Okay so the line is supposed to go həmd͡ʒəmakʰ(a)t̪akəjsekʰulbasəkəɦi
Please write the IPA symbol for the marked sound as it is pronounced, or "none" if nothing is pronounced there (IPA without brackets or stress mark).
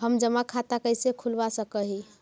a